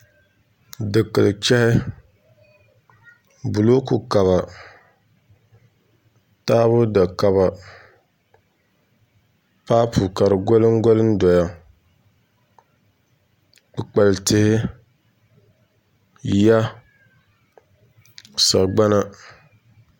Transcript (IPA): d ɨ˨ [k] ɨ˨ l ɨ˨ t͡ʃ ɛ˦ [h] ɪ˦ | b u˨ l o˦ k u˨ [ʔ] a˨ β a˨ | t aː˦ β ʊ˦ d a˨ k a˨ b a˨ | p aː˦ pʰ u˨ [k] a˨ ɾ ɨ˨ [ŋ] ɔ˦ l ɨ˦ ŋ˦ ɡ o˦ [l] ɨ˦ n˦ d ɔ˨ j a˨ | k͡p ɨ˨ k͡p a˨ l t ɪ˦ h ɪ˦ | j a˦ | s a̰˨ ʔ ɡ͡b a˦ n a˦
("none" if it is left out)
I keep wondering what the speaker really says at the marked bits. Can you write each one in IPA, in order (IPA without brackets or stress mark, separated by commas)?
k, h, k, k, ɡ, l